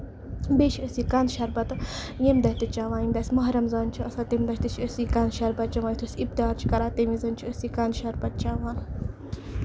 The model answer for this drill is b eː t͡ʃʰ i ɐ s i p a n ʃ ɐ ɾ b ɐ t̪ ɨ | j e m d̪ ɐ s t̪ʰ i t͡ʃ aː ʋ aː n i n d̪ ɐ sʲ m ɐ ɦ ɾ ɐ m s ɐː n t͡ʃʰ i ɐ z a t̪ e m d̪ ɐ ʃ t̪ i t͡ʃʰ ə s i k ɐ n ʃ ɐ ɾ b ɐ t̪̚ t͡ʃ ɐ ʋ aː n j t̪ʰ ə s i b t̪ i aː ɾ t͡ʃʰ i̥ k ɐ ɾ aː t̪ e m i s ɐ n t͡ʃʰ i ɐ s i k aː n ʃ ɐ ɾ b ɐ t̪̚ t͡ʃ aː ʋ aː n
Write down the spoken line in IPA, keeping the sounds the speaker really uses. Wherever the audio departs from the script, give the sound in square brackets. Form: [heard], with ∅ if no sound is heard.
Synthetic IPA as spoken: b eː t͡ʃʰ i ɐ s i [k] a n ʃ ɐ ɾ b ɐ t̪ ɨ | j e m d̪ ɐ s [t̪] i t͡ʃ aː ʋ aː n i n d̪ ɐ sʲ m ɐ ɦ ɾ ɐ m [z] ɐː n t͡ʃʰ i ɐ [s] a t̪ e m d̪ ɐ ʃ t̪ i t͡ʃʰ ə s i k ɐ n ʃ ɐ ɾ b ɐ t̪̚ t͡ʃ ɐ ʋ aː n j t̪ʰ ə s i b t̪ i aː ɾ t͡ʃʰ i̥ k ɐ ɾ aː t̪ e m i [z] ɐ n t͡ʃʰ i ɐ s i k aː n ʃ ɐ ɾ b ɐ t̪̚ t͡ʃ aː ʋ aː n